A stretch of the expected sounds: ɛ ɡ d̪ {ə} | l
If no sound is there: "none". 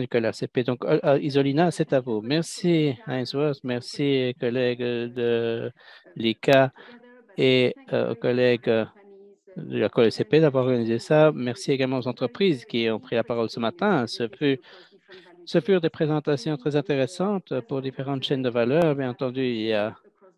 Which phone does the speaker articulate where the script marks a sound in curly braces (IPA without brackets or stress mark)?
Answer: ə